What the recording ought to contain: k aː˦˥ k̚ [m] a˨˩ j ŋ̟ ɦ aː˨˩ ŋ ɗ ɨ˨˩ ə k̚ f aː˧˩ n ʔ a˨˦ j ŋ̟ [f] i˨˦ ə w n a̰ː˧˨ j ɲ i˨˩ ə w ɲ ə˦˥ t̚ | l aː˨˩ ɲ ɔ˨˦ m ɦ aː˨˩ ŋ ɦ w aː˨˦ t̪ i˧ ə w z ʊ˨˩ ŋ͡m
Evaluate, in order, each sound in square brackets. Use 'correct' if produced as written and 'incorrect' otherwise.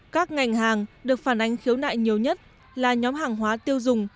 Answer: incorrect: ŋ, incorrect: x

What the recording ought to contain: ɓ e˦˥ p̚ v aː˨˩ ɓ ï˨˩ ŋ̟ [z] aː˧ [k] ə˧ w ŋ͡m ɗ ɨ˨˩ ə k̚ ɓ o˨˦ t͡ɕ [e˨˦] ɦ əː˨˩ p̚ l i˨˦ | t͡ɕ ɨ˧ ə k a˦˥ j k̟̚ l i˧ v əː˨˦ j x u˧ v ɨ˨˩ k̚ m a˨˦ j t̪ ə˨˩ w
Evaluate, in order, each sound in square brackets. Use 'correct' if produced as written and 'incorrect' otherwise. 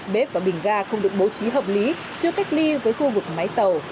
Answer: incorrect: ɣ, incorrect: x, incorrect: i˨˦

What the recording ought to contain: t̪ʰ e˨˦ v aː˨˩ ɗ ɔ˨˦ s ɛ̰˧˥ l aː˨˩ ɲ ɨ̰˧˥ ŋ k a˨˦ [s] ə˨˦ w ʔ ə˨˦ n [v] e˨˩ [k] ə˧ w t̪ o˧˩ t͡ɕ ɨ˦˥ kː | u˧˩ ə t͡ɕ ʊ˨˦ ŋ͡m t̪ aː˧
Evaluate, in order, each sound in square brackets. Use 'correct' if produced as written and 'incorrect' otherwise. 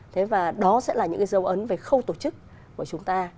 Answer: incorrect: z, correct, incorrect: x

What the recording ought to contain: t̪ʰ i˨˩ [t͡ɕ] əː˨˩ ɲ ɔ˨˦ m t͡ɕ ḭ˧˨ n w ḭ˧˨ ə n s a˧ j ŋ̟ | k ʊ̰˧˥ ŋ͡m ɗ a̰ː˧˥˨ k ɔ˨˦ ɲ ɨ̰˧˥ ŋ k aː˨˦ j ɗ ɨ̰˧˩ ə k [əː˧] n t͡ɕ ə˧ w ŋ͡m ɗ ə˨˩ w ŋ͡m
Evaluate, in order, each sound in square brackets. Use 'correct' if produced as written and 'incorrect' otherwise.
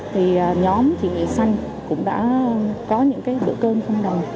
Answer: incorrect: none, correct

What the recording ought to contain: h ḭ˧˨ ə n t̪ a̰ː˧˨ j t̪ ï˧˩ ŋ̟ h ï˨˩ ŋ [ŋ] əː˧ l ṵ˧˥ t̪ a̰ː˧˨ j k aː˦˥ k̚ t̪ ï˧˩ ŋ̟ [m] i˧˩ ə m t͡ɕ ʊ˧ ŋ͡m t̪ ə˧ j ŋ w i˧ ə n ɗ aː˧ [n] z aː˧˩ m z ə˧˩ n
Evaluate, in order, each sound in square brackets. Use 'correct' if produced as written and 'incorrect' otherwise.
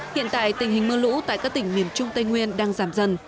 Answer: incorrect: m, correct, incorrect: ŋ

